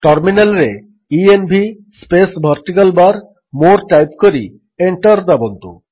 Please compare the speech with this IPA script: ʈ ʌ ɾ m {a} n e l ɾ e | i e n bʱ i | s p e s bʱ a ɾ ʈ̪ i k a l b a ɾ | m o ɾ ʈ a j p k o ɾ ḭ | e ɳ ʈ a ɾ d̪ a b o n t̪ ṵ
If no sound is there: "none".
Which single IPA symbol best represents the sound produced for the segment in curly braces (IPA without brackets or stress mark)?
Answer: i